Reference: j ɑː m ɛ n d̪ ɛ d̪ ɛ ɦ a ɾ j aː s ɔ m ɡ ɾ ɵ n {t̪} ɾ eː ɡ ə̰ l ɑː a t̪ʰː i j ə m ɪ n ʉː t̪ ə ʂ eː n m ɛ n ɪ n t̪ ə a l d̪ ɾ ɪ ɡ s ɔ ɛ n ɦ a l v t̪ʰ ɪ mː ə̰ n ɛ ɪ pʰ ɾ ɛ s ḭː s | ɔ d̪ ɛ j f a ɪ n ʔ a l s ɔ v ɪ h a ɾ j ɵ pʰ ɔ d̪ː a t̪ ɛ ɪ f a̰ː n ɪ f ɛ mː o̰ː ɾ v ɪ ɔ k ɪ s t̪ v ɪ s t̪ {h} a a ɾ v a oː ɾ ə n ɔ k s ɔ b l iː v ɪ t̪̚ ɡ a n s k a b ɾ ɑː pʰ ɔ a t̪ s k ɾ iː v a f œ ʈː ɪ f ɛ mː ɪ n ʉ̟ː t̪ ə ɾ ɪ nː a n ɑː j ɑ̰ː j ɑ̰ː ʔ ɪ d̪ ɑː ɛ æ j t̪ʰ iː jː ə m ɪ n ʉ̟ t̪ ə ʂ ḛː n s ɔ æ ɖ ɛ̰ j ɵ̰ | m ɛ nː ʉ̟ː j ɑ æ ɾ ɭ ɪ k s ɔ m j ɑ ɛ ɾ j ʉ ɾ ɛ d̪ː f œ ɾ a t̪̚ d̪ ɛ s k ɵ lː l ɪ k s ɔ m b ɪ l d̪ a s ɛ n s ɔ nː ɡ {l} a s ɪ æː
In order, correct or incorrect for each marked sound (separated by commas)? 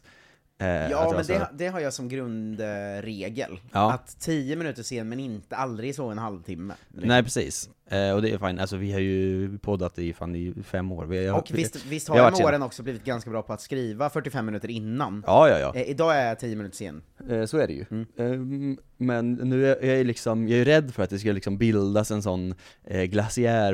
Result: incorrect, correct, correct